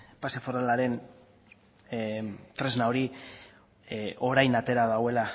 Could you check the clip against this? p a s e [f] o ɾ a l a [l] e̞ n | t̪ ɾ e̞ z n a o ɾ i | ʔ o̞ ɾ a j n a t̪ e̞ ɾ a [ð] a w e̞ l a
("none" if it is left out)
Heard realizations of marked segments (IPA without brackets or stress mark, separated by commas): f, ɾ, ð